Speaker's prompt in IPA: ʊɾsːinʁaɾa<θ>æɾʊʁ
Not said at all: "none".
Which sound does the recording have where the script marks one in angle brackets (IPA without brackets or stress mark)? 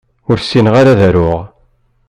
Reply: ð